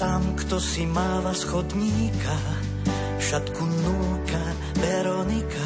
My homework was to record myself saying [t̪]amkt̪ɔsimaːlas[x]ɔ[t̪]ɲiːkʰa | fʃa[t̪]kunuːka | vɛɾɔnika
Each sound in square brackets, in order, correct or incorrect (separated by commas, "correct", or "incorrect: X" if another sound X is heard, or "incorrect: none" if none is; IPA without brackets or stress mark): correct, correct, incorrect: d̪, correct